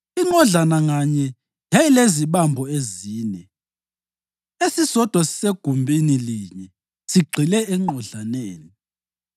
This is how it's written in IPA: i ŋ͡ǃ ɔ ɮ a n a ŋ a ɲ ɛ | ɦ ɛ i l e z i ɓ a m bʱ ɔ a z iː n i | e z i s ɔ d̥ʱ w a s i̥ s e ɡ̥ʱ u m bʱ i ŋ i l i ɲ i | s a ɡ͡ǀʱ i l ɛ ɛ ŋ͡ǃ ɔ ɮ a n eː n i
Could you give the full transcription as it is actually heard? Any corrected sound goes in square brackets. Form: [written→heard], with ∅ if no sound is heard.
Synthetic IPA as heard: i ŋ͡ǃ ɔ ɮ a n a ŋ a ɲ ɛ | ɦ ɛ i l e z i ɓ a m bʱ ɔ [a→e] z iː n [i→ɛ] | e [z→s] i s ɔ d̥ʱ w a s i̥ s e ɡ̥ʱ u m bʱ i [ŋ→n] i l i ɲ [i→ɛ] | s [a→i] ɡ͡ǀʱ i l ɛ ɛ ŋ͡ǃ ɔ ɮ a n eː n i